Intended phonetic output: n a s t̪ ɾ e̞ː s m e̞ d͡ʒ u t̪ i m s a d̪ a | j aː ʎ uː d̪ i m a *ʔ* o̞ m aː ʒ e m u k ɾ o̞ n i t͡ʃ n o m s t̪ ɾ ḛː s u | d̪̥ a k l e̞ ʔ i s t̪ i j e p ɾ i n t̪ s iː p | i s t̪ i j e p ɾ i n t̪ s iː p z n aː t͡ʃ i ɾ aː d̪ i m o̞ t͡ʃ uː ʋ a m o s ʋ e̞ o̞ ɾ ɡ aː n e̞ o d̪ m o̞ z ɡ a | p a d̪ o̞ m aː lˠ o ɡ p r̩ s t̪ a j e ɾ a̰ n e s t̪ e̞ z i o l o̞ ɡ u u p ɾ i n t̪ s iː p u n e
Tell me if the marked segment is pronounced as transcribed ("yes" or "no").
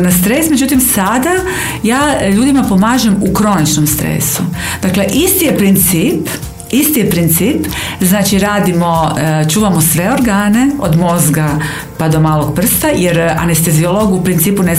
no